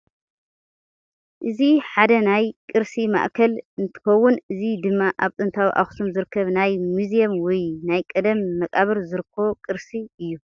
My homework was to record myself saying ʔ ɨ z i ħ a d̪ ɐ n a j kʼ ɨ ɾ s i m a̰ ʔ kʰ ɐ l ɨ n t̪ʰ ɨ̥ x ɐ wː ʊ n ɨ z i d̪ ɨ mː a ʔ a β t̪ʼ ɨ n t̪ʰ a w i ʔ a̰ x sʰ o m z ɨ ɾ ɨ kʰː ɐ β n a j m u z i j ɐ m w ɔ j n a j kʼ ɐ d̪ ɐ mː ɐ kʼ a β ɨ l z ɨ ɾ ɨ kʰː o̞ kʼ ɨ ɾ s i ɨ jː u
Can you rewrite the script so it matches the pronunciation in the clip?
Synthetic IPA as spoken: ʔ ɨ z i ħ a d̪ ɐ n a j kʼ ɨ ɾ s i m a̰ ʔ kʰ ɐ l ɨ n t̪ʰ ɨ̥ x ɐ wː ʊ n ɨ z i d̪ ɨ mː a ʔ a β t̪ʼ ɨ n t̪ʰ a w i ʔ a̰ x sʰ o m z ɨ ɾ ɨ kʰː ɐ β n a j m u z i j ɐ m w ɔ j n a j kʼ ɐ d̪ ɐ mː ɐ kʼ a β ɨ ɾ z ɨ ɾ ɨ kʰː o̞ kʼ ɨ ɾ s i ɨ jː u